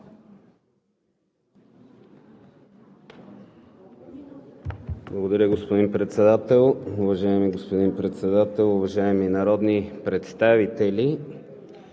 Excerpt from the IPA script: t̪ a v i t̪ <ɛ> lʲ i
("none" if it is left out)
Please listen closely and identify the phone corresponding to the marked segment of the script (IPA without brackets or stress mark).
ɛ